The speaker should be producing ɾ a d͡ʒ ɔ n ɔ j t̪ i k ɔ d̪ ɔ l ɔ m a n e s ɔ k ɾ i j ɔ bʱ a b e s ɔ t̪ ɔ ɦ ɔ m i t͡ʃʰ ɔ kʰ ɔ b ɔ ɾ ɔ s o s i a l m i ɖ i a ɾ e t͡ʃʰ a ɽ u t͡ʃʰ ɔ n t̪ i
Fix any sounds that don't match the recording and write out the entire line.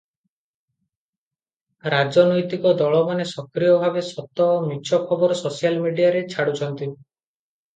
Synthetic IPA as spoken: ɾ a d͡ʒ ɔ n ɔ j t̪ i k ɔ d̪ ɔ ɭ ɔ m a n e s ɔ k ɾ i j ɔ bʱ a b e s ɔ t̪ ɔ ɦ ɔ m i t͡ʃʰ ɔ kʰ ɔ b ɔ ɾ ɔ s o s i a l m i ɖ i a ɾ e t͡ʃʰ a ɽ u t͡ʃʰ ɔ n t̪ i